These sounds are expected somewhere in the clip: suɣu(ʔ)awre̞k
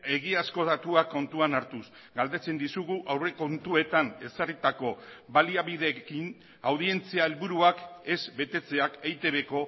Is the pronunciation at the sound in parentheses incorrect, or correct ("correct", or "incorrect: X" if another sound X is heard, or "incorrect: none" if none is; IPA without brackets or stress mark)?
correct